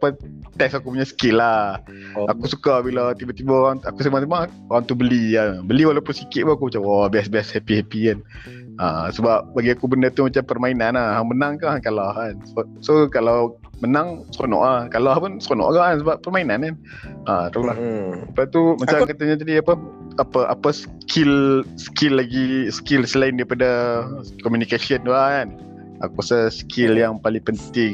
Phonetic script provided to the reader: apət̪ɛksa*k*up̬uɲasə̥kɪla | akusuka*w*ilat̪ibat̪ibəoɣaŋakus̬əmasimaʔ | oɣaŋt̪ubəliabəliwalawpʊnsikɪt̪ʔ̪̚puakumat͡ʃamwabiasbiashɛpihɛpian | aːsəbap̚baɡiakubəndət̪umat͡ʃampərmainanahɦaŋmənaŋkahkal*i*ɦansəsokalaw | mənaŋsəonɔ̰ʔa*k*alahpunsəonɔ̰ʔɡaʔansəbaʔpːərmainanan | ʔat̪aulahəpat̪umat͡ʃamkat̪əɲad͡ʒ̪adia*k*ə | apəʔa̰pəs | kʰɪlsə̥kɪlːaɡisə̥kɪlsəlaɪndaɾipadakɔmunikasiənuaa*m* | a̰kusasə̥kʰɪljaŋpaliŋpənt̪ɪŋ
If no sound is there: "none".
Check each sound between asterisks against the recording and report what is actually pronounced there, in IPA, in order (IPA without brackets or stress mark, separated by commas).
k, b, a, k, p, n